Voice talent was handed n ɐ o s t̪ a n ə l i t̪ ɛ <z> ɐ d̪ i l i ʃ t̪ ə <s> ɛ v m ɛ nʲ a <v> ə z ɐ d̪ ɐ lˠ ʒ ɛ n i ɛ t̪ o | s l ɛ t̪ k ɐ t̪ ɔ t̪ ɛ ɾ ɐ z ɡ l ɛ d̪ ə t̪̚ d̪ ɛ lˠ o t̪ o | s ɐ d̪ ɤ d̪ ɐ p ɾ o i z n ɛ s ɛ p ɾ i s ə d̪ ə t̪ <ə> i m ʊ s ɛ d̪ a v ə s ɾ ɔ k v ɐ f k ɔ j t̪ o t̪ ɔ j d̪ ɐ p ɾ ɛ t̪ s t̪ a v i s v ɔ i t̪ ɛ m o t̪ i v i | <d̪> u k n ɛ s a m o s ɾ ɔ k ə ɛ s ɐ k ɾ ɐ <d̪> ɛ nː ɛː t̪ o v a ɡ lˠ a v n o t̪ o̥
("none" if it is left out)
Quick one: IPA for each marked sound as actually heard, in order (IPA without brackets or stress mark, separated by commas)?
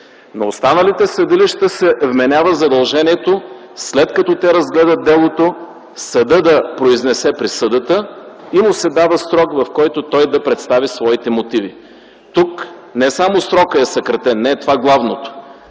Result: s, s, v, ə, t̪, t̪